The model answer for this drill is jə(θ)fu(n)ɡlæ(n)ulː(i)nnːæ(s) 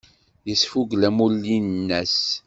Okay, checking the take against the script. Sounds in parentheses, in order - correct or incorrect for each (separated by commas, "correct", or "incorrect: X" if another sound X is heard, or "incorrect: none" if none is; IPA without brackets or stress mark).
incorrect: s, incorrect: none, incorrect: m, correct, correct